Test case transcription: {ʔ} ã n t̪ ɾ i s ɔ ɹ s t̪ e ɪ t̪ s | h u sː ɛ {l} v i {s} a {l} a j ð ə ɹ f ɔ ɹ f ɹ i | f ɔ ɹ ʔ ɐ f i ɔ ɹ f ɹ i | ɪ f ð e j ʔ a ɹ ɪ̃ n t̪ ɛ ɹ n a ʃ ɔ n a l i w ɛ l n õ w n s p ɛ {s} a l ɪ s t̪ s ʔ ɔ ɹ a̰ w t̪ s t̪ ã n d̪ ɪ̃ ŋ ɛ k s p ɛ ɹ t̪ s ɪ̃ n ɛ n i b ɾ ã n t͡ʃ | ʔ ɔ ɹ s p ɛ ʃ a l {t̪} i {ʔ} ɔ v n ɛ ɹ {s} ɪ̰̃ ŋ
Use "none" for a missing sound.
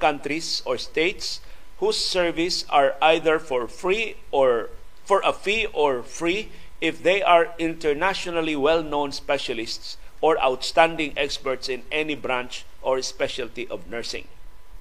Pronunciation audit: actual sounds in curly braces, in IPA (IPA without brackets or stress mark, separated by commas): k, ɹ, s, ɹ, ʃ, t̪, ʔ, s